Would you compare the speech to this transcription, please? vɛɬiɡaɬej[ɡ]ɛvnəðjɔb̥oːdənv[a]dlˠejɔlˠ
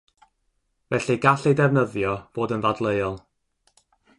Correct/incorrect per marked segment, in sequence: incorrect: d, correct

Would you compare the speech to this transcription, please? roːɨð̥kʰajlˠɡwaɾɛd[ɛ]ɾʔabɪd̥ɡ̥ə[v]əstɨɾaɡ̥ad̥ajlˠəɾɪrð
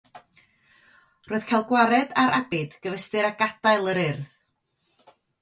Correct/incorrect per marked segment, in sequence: incorrect: a, correct

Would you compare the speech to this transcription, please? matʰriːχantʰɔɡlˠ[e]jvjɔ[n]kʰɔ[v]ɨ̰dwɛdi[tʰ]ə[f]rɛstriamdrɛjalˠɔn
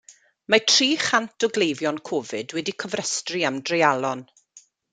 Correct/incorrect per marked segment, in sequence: correct, correct, correct, incorrect: kʰ, incorrect: v

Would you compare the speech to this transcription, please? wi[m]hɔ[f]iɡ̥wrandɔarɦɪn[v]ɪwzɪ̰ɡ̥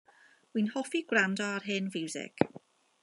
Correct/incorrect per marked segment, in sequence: incorrect: n, correct, correct

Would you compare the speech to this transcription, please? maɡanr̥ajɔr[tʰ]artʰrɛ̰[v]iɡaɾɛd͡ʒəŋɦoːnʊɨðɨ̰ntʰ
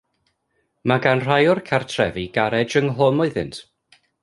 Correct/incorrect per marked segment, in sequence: incorrect: kʰ, correct

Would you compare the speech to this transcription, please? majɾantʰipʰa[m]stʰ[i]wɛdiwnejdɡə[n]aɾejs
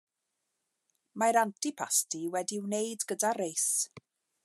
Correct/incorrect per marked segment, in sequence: incorrect: none, correct, incorrect: d

